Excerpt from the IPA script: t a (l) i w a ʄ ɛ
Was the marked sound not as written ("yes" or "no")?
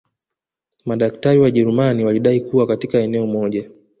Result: yes